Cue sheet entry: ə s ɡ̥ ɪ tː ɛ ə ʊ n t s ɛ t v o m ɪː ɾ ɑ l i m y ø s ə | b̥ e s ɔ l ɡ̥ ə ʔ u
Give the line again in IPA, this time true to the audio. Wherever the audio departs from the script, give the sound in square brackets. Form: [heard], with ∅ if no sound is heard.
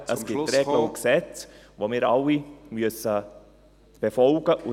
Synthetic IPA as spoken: ə s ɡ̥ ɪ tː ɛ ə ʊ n [k] s ɛ [t͡s] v o m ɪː ɾ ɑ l i m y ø s ə | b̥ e [f] ɔ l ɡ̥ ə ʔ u